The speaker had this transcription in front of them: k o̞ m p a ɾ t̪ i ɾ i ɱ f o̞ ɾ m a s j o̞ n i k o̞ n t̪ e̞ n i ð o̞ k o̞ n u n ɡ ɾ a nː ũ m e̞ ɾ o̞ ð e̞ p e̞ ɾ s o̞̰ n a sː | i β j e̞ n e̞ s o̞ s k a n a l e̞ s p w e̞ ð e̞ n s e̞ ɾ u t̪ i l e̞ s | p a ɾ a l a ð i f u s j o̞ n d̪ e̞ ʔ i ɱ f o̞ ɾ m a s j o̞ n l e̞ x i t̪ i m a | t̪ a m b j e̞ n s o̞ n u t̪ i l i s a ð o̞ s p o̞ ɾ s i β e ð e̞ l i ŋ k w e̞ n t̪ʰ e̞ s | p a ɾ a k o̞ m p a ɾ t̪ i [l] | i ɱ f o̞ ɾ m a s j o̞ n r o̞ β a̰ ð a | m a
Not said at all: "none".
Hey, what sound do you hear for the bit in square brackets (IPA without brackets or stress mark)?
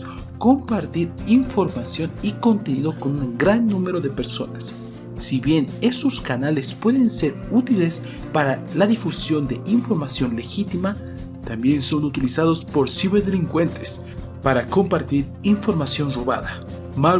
ɾ